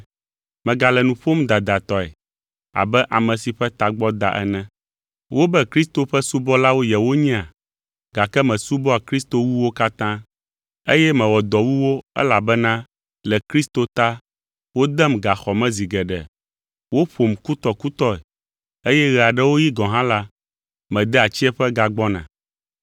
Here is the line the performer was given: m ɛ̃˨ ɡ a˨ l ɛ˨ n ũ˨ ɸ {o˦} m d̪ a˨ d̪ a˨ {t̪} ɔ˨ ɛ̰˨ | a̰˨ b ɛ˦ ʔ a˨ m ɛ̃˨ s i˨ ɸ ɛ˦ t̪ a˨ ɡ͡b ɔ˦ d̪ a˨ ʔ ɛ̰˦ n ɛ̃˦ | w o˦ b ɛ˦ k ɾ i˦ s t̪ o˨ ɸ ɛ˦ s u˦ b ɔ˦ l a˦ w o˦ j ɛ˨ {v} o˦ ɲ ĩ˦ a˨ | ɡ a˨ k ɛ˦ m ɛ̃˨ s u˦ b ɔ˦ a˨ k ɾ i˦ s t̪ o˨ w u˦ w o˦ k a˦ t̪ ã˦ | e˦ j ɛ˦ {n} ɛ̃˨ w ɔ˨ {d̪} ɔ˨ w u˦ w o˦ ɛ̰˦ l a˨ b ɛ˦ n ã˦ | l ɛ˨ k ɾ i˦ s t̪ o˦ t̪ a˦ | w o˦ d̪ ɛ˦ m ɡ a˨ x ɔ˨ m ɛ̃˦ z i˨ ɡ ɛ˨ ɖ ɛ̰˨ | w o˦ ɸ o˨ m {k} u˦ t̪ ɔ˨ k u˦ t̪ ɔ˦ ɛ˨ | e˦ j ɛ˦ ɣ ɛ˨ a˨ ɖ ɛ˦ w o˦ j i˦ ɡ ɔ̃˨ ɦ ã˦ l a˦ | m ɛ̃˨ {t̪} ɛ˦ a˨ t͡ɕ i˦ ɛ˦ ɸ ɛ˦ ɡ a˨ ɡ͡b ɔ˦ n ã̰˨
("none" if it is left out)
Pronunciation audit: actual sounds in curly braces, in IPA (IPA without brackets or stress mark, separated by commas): o˦, t̪, w, m, d̪, k, d̪